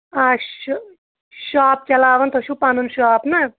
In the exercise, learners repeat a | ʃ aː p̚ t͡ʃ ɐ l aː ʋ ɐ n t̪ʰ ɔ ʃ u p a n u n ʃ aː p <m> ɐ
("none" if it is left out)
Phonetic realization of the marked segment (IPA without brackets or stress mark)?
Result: n